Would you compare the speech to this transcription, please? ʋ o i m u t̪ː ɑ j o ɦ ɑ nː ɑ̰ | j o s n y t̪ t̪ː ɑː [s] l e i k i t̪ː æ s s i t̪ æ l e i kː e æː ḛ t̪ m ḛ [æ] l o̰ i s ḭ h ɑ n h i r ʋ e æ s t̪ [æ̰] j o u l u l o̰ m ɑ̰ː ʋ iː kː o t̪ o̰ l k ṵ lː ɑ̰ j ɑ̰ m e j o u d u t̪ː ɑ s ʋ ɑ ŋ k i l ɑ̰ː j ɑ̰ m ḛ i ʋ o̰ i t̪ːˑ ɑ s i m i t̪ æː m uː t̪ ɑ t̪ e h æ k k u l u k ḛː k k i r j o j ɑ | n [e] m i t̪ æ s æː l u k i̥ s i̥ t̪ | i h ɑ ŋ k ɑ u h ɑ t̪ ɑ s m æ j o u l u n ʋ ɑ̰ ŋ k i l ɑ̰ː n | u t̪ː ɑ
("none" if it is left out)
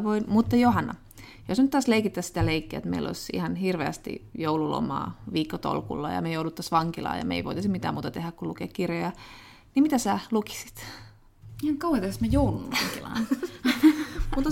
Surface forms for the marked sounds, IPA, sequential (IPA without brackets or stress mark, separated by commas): s, i, ḭ, i